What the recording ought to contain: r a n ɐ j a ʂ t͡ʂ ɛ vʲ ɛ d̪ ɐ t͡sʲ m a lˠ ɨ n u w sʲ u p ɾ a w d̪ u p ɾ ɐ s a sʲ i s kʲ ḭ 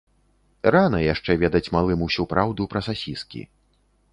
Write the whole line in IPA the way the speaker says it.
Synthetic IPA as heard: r a n ɐ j a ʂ t͡ʂ ɛ vʲ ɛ d̪ ɐ t͡sʲ m a lˠ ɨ m u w sʲ u p ɾ a w d̪ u p ɾ ɐ s a sʲ i s kʲ ḭ